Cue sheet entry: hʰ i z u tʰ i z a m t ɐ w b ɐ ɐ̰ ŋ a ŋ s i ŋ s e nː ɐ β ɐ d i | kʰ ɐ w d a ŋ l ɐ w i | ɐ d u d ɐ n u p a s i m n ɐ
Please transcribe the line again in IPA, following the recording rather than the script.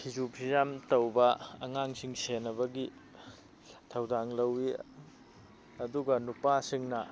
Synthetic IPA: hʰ i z u pʰ i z a m t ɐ w b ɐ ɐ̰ ŋ a ŋ s i ŋ s e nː ɐ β ɐ ɡ i | tʰ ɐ w d a ŋ l ɐ w i | ɐ d u ɡ ɐ n u p a s i ŋ n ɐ